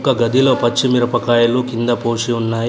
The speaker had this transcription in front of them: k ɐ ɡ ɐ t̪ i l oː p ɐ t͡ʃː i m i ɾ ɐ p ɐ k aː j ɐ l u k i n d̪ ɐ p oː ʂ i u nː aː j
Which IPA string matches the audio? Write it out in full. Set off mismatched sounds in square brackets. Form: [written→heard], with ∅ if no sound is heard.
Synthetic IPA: k ɐ ɡ ɐ [t̪→d̪] i l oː p ɐ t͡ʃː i m i ɾ ɐ p ɐ k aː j ɐ l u k i n d̪ ɐ p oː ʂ i u nː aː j